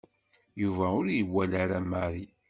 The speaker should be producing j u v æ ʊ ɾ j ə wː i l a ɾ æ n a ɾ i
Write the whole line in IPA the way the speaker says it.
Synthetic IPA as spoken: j u v æ ʊ ɾ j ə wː æ l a ɾ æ m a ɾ i